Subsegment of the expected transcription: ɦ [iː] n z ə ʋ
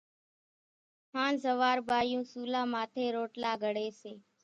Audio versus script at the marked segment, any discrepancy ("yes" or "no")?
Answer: yes